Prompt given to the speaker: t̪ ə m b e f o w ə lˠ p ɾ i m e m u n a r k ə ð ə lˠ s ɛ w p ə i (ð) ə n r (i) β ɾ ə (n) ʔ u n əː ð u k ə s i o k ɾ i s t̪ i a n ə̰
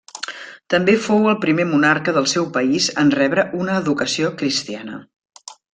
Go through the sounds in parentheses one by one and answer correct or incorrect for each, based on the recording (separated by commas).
incorrect, incorrect, incorrect